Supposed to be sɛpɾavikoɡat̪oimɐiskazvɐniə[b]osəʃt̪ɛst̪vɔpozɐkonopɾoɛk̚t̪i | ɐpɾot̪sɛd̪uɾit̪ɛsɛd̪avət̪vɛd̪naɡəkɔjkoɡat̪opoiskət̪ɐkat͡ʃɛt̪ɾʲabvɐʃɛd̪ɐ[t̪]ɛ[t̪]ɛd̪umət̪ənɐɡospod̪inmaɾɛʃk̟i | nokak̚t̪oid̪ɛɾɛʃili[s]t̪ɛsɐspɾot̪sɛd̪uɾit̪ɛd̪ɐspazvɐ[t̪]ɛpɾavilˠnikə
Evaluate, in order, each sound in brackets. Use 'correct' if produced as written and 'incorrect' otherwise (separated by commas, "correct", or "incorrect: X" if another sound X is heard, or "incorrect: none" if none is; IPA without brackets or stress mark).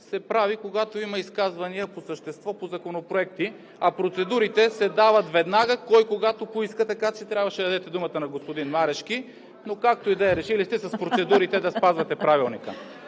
incorrect: p, incorrect: d̪, correct, correct, correct